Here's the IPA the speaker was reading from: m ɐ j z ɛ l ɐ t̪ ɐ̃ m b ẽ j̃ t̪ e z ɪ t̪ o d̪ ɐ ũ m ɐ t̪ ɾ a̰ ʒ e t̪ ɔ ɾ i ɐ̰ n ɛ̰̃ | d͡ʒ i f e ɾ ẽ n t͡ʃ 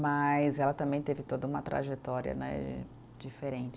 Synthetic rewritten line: m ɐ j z ɛ l ɐ t̪ ɐ̃ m b ẽ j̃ t̪ e v ɪ t̪ o d̪ ɐ ũ m ɐ t̪ ɾ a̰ ʒ e t̪ ɔ ɾ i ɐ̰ n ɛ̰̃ | d͡ʒ i f e ɾ ẽ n t͡ʃ